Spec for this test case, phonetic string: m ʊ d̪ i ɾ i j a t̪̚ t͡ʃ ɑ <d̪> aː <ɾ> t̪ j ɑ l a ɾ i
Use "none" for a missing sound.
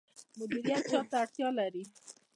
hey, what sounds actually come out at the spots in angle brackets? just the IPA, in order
t̪, ɽ

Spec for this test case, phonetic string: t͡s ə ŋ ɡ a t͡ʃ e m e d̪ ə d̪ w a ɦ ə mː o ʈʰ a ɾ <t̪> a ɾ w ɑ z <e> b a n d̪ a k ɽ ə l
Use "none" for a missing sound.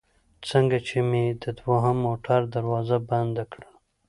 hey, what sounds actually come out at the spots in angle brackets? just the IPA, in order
d̪, a

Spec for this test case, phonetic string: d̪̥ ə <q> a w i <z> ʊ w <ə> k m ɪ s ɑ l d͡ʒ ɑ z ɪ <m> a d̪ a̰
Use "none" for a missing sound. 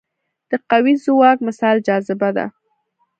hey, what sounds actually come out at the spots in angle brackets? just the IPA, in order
q, z, ɑ, b

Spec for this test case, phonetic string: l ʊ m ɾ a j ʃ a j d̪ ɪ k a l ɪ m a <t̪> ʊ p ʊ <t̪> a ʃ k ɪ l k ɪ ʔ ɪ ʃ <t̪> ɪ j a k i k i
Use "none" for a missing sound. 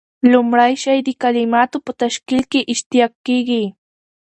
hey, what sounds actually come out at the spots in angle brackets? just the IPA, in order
t̪, t̪, t̪

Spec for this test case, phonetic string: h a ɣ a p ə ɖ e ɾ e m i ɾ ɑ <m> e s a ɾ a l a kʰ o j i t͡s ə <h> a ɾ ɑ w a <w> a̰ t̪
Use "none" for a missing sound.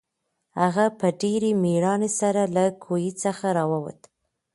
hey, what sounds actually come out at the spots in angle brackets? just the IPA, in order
n, x, w

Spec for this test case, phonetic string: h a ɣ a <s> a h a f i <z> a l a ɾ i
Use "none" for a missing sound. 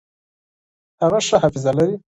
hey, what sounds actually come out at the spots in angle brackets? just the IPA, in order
ʂ, z

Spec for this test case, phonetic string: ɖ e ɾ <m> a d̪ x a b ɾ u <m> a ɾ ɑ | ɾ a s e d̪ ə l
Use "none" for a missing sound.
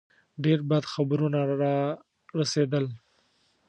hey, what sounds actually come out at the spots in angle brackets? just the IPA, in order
b, n

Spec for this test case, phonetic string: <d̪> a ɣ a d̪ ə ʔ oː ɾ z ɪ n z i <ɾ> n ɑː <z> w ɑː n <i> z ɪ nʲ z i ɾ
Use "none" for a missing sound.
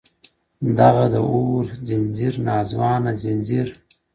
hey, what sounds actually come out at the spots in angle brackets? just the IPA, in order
d̪, ɾ, z, a

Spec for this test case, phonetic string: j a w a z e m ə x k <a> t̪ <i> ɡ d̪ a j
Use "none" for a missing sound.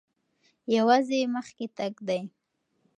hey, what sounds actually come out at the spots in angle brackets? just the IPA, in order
e, a

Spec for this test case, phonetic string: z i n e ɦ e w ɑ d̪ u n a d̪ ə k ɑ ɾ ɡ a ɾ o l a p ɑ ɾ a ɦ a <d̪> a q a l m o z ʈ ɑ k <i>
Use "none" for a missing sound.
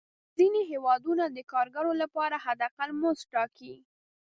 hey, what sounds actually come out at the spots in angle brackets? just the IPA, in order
d̪, i

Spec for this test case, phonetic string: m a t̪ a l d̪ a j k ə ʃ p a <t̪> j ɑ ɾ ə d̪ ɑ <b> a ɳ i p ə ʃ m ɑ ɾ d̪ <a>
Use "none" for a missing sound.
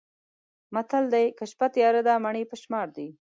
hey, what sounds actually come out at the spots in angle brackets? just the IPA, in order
t̪, m, i

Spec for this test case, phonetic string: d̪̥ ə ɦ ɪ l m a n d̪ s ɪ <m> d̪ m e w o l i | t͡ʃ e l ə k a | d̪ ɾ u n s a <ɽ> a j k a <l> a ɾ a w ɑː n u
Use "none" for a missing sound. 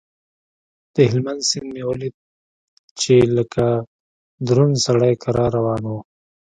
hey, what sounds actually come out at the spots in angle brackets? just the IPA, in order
n, ɽ, ɾ

